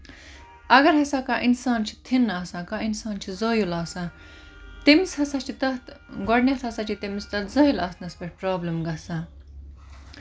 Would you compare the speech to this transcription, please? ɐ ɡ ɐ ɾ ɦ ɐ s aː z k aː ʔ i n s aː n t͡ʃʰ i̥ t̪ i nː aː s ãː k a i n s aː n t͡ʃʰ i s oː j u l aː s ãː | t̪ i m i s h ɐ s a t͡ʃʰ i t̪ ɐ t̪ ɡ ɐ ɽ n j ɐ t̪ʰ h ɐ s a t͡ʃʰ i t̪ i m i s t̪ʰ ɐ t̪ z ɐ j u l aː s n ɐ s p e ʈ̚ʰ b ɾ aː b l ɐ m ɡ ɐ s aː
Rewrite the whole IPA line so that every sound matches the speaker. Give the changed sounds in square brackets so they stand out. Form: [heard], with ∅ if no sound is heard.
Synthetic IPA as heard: ɐ ɡ ɐ ɾ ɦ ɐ s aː [∅] k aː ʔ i n s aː n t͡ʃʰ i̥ [t̪ʰ] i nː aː s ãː k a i n s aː n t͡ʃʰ i [z] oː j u l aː s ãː | t̪ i m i s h ɐ s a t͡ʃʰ i t̪ ɐ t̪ ɡ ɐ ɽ n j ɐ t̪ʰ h ɐ s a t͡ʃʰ i t̪ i m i s [t̪] ɐ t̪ z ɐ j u l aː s n ɐ s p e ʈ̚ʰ [p] ɾ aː b l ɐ m ɡ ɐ s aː